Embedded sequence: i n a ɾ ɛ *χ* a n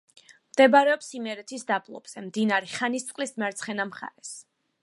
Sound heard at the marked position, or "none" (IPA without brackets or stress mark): χ